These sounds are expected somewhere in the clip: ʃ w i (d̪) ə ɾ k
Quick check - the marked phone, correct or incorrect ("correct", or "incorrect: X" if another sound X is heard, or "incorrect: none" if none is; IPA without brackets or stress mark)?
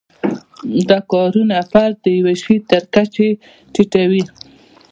incorrect: t̪